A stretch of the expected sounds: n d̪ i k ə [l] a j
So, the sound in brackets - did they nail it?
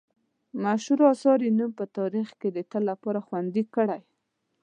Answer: no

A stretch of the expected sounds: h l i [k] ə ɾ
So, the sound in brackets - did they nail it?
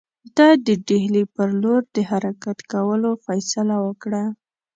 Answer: no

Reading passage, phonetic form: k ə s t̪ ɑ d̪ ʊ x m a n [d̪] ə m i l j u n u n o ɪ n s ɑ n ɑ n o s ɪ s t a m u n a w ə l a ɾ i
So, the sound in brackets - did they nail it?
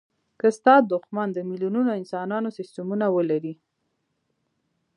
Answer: yes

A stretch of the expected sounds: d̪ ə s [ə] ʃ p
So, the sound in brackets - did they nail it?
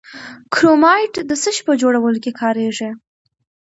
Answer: yes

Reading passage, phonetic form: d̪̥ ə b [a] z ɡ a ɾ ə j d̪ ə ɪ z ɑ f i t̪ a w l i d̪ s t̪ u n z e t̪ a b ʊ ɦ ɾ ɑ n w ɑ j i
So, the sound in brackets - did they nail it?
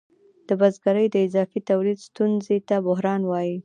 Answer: yes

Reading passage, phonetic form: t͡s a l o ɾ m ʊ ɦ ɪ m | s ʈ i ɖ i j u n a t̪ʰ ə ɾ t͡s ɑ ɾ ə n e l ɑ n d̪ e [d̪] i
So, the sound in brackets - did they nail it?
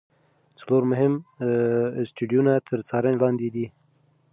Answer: yes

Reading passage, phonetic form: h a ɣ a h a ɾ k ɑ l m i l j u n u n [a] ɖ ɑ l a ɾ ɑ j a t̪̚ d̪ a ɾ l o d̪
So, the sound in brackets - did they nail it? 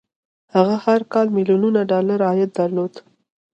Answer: yes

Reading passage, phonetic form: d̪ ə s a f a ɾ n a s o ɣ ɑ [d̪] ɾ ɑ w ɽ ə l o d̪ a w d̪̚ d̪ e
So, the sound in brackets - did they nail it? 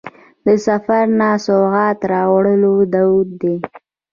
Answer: no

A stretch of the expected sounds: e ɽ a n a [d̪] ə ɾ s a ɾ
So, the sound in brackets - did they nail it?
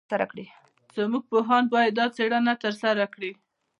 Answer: no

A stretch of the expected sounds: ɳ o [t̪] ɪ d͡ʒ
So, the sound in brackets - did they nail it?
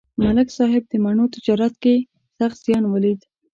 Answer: yes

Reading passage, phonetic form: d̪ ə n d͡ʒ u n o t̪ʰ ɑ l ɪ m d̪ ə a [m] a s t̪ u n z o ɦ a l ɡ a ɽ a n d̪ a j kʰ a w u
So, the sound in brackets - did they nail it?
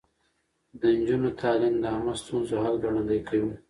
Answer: yes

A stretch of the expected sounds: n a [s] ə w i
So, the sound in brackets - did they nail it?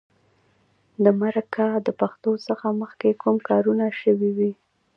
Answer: no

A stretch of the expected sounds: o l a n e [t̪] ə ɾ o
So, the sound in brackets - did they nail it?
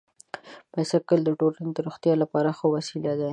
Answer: no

